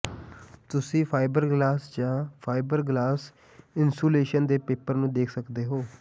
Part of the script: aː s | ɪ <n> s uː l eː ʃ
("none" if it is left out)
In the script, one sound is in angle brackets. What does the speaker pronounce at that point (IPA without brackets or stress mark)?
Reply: n